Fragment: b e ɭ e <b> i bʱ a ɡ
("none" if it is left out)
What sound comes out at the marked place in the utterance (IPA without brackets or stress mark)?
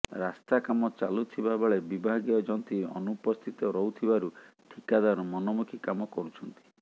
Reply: b